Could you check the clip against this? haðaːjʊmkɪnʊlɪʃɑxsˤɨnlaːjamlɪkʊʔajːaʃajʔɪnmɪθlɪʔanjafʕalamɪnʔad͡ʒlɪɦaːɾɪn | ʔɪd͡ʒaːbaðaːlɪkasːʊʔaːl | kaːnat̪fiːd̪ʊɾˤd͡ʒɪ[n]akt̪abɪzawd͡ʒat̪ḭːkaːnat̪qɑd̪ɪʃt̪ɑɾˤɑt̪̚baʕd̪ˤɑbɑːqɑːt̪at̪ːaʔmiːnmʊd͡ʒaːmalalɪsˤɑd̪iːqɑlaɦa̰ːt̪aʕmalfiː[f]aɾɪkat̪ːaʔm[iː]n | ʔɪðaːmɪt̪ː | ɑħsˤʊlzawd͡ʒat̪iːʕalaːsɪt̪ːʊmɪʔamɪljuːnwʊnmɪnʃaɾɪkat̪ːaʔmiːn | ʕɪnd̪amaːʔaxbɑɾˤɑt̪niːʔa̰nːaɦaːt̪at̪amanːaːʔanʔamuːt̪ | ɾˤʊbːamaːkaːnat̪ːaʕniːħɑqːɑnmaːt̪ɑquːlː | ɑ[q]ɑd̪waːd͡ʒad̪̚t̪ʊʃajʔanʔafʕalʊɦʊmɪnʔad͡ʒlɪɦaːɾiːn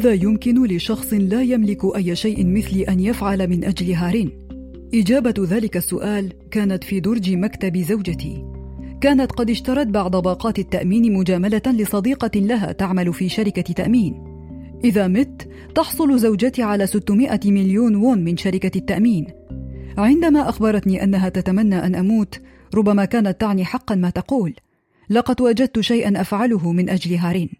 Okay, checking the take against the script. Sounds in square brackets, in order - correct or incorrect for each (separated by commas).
incorrect, incorrect, correct, correct